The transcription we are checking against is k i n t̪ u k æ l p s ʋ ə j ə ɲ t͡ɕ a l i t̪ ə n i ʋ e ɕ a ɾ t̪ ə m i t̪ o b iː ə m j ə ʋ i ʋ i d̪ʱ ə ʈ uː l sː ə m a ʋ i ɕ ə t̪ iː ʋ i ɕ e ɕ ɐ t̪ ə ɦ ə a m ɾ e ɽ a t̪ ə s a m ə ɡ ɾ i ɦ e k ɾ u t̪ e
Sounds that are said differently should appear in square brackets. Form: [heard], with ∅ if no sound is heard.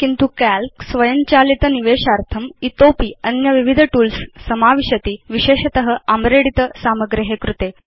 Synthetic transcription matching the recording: k i n t̪ u k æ l [k] s ʋ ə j ə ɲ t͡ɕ a l i t̪ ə n i ʋ e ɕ a ɾ [t̪ʰ] ə m i t̪ o [p] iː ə [n] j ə ʋ i ʋ i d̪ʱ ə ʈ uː l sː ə m a ʋ i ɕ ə t̪ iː ʋ i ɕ e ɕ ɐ t̪ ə ɦ ə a m ɾ e ɽ [i] t̪ ə s a m ə ɡ ɾ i ɦ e k ɾ u t̪ e

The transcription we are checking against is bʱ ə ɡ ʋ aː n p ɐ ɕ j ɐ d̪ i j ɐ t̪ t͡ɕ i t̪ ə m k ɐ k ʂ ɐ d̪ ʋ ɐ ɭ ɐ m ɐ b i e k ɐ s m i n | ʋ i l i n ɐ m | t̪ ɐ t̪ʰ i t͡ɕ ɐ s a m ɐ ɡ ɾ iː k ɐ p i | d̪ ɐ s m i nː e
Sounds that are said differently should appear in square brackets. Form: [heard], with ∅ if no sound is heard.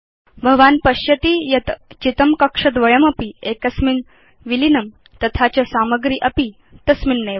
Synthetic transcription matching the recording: bʱ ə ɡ ʋ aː n p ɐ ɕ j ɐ [t̪] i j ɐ t̪ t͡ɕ i t̪ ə m k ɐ k ʂ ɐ d̪ ʋ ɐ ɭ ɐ m ɐ [p] i e k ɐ s m i n | ʋ i l i n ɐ m | t̪ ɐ t̪ʰ [a] t͡ɕ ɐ s a m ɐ ɡ ɾ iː [ʔ] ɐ p i | [t̪] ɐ s m i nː e

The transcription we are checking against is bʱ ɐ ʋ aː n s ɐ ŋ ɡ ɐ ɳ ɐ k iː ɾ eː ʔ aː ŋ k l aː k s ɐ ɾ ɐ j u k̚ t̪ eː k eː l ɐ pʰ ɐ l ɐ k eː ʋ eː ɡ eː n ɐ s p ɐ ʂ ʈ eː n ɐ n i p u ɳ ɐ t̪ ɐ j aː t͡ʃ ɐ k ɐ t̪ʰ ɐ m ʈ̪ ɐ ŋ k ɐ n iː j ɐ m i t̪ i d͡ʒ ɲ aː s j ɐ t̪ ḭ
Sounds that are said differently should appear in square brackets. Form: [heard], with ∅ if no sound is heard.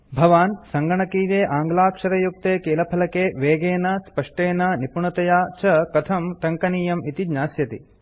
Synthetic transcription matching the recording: bʱ ɐ ʋ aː n s ɐ ŋ ɡ ɐ ɳ ɐ k iː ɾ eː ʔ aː ŋ [ɡ] l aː k [ʂ] ɐ ɾ ɐ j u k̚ t̪ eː k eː l ɐ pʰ ɐ l ɐ k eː ʋ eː ɡ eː n ɐ s p ɐ ʂ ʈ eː n ɐ n i p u ɳ ɐ t̪ ɐ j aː t͡ʃ ɐ k ɐ t̪ʰ ɐ m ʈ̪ ɐ ŋ k ɐ n iː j ɐ m i t̪ i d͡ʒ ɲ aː s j ɐ t̪ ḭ

